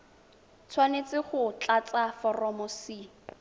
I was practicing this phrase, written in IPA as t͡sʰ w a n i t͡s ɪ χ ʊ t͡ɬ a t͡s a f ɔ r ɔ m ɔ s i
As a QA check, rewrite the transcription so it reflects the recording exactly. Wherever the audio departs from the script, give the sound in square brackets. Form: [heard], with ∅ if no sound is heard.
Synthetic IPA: t͡sʰ w a n [e] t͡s ɪ χ ʊ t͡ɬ a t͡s a f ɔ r ɔ m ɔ s i